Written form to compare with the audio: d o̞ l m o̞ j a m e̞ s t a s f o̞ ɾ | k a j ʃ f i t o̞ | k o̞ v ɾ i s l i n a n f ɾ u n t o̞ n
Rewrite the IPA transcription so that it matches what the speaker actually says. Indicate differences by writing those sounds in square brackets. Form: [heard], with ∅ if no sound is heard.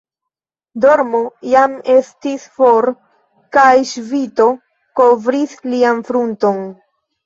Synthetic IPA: d o̞ [ɾ] m o̞ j a m e̞ s t [i] s f o̞ ɾ | k a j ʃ [v] i t o̞ | k o̞ v ɾ i s l i [∅] a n f ɾ u n t o̞ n